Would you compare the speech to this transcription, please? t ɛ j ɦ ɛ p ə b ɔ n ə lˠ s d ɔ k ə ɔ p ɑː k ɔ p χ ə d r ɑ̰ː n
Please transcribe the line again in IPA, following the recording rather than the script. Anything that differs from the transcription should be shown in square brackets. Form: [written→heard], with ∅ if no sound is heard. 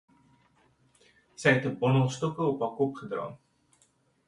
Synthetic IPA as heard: [t→s] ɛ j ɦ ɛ [p→t] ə b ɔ n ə lˠ s [d→t] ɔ k ə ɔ p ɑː k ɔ p χ ə d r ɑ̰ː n